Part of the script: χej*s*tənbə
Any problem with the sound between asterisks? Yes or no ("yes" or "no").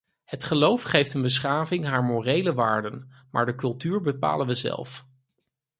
yes